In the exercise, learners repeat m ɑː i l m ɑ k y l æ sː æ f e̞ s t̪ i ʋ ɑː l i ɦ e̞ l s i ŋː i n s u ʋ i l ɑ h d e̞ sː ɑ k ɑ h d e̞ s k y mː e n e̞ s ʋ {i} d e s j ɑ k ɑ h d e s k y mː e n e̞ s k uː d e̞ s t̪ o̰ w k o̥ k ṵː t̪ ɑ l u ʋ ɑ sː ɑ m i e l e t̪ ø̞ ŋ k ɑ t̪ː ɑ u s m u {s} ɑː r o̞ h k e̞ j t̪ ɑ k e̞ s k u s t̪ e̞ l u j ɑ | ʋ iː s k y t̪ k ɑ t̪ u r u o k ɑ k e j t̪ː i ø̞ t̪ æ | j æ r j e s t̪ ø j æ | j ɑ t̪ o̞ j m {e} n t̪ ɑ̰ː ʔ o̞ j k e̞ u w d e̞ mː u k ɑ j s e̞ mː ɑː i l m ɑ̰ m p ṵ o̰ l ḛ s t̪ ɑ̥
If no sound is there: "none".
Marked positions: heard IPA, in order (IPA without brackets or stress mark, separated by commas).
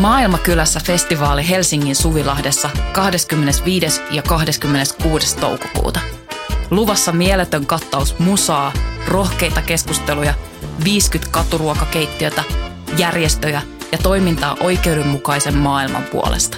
iː, s, i